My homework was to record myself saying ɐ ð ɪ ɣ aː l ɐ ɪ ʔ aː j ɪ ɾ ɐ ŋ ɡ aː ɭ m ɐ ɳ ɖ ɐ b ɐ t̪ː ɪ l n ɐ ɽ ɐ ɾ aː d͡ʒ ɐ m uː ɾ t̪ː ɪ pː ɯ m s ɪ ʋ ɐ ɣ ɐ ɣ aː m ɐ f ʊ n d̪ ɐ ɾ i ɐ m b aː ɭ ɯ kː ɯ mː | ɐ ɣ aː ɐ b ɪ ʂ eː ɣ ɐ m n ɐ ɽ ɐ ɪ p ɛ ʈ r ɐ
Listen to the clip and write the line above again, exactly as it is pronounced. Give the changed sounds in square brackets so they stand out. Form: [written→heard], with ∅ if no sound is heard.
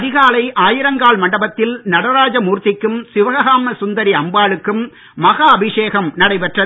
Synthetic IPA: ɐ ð ɪ ɣ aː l ɐ ɪ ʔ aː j ɪ ɾ ɐ ŋ ɡ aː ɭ m ɐ ɳ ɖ ɐ b ɐ t̪ː ɪ l n ɐ ɽ ɐ ɾ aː d͡ʒ ɐ m uː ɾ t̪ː ɪ [pː→kː] ɯ m s ɪ ʋ ɐ ɣ ɐ ɣ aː m ɐ [f→s] ʊ n d̪ ɐ ɾ i ɐ m b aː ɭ ɯ kː ɯ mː | ɐ ɣ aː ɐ b ɪ ʂ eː ɣ ɐ m n ɐ ɽ ɐ ɪ p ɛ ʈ r ɐ